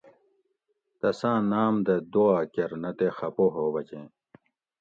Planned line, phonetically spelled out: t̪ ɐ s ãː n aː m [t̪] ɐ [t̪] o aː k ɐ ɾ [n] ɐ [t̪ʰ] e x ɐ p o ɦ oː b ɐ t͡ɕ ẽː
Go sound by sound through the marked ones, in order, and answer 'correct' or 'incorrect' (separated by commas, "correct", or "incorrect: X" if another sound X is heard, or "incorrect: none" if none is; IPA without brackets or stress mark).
incorrect: d̪, incorrect: d̪, correct, incorrect: t̪